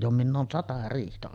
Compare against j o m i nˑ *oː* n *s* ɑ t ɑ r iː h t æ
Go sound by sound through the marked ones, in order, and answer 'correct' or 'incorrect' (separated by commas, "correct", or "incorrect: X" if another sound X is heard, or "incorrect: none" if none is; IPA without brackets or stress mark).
correct, correct